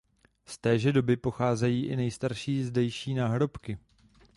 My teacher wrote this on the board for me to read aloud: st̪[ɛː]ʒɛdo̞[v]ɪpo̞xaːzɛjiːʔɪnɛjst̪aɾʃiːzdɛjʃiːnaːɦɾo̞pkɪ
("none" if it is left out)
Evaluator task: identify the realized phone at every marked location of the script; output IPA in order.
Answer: ɛː, b

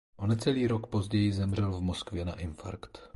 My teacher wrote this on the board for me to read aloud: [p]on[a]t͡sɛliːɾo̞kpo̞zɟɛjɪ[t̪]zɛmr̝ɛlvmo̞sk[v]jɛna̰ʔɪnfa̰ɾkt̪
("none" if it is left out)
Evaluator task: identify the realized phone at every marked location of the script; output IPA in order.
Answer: ʔ, ɛ, none, v

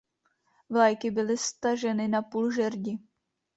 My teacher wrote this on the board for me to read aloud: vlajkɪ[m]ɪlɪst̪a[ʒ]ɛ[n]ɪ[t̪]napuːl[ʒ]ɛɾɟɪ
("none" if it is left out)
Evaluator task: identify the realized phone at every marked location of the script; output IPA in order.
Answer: b, ʒ, n, none, ʒ

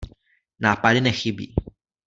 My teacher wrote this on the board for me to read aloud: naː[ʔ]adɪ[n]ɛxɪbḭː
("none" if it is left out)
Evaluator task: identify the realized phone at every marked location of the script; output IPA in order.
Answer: p, n

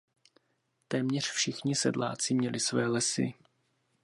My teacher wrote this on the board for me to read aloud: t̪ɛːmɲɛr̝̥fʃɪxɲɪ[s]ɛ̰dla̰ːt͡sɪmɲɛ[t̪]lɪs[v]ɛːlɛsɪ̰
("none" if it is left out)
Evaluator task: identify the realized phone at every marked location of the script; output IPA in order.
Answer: s, none, v

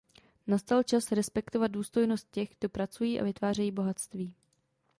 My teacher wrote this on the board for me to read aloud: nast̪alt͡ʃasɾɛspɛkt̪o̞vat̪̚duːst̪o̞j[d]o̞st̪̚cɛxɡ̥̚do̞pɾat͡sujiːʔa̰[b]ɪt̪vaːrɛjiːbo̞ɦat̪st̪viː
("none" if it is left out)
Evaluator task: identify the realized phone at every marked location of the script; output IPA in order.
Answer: n, v

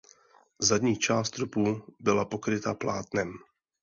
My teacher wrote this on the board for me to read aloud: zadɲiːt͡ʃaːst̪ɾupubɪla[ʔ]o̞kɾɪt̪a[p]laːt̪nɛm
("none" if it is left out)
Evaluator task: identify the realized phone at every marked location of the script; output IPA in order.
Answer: p, p

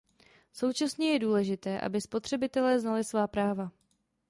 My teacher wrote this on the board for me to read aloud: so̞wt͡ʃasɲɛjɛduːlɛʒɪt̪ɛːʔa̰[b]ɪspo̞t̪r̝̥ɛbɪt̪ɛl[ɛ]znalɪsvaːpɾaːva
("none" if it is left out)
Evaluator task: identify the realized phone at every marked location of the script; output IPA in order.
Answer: b, ɛː

